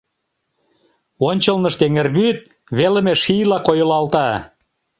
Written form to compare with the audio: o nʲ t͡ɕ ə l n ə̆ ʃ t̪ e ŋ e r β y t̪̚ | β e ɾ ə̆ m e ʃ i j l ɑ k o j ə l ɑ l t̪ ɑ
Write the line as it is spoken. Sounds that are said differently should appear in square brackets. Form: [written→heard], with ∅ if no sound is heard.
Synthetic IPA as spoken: o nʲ t͡ɕ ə l n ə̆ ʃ t̪ e ŋ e r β y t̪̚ | β e [ɾ→l] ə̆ m e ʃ i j l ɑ k o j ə l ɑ l t̪ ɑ

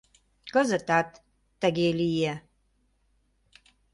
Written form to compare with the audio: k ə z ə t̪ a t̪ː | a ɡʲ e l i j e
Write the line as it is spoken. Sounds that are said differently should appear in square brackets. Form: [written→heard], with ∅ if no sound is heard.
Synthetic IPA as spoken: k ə z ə t̪ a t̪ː | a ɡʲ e l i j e

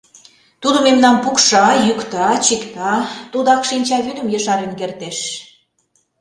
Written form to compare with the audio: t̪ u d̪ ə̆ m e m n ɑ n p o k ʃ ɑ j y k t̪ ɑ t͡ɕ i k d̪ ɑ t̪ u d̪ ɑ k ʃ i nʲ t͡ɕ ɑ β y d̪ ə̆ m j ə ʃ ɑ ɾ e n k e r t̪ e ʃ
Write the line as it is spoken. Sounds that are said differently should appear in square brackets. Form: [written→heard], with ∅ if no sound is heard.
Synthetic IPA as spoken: t̪ u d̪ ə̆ m e m n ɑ n p [o→u] k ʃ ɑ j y k t̪ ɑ t͡ɕ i k [d̪→t̪] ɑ t̪ u d̪ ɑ k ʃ i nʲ t͡ɕ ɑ β y d̪ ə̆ m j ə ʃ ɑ ɾ e n k e r t̪ e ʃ

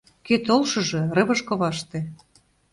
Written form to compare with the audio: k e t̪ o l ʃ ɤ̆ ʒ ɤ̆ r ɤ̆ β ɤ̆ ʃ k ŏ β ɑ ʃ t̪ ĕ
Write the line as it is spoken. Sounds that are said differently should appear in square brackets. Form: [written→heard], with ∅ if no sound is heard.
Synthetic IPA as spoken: k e t̪ o l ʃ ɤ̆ ʒ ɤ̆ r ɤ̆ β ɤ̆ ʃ k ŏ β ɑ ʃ t̪ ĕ

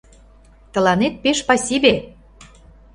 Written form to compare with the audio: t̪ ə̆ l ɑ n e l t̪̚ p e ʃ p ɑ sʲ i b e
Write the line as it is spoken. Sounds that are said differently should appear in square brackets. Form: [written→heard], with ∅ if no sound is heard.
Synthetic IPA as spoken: t̪ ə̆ l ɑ n e [l→∅] t̪̚ p e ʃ p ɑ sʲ i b e

